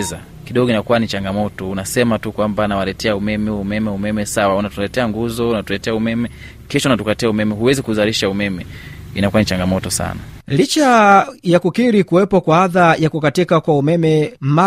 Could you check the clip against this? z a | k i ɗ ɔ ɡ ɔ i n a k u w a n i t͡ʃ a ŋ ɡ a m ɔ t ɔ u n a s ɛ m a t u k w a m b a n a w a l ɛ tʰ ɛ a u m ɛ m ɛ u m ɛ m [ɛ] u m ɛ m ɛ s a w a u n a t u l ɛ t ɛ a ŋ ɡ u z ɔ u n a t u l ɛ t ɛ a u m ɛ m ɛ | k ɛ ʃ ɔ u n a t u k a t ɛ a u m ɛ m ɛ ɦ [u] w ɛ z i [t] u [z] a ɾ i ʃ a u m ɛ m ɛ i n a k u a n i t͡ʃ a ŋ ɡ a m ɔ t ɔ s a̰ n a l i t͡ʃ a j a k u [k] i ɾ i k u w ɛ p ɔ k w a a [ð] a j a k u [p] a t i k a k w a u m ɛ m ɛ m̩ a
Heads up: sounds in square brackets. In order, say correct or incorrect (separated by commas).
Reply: correct, correct, incorrect, correct, correct, correct, incorrect